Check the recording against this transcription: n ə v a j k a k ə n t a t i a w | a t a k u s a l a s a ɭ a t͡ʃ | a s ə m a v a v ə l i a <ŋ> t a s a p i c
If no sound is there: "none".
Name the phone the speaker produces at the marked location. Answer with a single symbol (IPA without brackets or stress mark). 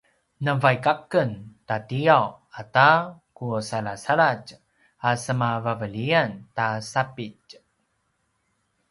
n